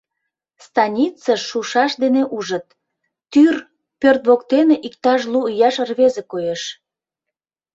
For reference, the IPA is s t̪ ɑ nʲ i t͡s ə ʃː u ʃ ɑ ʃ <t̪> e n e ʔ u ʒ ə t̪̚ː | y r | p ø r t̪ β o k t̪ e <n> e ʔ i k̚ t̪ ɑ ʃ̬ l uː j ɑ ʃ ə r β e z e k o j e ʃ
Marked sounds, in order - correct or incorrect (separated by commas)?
incorrect, correct